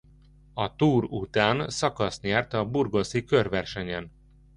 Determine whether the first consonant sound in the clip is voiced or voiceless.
voiceless